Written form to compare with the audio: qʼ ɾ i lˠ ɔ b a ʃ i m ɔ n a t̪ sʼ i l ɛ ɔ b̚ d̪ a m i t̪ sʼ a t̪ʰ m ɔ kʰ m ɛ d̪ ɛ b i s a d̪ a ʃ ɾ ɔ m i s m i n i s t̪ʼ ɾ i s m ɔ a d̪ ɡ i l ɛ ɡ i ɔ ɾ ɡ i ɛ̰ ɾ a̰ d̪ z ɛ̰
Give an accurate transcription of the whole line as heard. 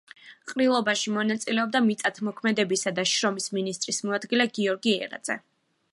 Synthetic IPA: qʼ ɾ i lˠ ɔ b a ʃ i m ɔ n a t̪ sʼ i l ɛ ɔ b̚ d̪ a m i t̪ sʼ a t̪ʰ m ɔ kʰ m ɛ d̪ ɛ b i s a d̪ a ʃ ɾ ɔ m i s m i n i s t̪ʼ ɾ i s m ɔ a d̪ ɡ i l ɛ ɡ i ɔ ɾ ɡ i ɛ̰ ɾ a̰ d̪ z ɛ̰